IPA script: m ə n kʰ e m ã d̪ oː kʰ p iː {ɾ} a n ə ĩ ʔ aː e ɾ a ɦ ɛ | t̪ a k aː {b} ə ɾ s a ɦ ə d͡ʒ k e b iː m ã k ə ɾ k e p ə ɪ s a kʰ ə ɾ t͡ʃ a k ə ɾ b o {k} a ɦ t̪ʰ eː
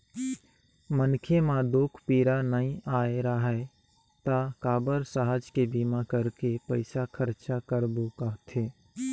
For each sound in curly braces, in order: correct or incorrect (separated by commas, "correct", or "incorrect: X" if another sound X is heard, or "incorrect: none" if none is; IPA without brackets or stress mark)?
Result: correct, correct, correct